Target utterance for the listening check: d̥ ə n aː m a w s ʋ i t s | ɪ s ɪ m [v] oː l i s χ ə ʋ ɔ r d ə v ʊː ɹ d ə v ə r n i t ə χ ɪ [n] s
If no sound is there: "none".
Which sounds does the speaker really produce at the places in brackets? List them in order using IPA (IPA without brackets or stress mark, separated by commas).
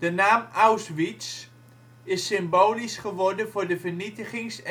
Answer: b, ŋ